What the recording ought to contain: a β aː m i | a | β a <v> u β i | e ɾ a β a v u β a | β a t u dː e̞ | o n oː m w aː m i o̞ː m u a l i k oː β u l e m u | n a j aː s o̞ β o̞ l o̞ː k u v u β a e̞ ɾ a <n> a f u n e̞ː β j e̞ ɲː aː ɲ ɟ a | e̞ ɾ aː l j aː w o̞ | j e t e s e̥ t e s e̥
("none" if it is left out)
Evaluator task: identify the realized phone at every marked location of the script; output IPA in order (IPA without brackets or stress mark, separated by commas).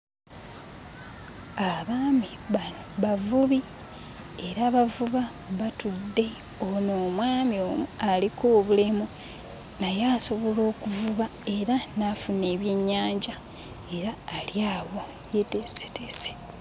v, n